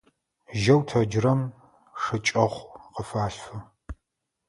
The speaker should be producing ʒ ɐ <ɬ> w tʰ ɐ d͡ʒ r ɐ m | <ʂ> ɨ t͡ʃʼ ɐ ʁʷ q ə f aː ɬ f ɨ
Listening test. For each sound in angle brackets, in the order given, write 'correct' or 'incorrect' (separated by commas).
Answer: incorrect, correct